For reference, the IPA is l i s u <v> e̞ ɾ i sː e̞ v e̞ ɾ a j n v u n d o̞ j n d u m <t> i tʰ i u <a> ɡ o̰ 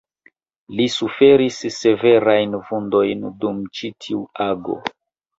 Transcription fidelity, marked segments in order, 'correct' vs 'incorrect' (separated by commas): incorrect, incorrect, correct